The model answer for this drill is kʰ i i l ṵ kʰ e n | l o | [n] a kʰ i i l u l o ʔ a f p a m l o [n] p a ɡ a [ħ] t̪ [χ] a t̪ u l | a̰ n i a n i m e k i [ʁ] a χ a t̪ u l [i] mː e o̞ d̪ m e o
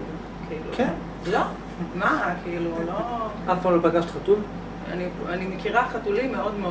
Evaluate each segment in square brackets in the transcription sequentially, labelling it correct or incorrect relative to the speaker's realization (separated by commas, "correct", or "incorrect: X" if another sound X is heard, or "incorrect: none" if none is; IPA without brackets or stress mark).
incorrect: m, incorrect: none, incorrect: ʃ, correct, correct, correct